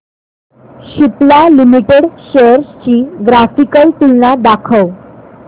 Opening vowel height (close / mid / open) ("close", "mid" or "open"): close